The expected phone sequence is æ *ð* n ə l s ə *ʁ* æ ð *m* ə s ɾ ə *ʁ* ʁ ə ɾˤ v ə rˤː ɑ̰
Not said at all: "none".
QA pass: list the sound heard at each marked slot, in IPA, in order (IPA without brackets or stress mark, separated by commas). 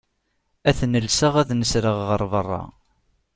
θ, ʁ, n, ʁ